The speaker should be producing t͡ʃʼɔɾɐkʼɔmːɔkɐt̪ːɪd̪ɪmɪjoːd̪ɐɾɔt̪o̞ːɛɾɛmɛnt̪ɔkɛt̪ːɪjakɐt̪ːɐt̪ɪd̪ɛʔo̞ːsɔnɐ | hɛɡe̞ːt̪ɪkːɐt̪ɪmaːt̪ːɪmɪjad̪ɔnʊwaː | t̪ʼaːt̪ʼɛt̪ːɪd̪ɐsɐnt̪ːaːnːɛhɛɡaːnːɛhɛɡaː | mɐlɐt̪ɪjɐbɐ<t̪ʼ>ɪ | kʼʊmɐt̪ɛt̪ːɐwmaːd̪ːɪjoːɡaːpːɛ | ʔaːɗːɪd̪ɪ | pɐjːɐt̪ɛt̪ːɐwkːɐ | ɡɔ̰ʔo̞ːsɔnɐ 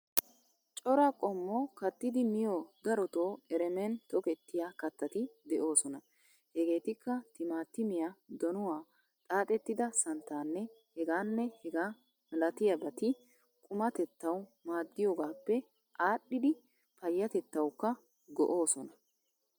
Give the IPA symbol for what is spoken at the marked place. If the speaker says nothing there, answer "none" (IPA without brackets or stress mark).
t̪